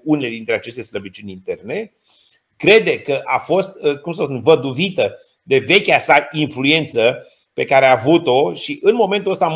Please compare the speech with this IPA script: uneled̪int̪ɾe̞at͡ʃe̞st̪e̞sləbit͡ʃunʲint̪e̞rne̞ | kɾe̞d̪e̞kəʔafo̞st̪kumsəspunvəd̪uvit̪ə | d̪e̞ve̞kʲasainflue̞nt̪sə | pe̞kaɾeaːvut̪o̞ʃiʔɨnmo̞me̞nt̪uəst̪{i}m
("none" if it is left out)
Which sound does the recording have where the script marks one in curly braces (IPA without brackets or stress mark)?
a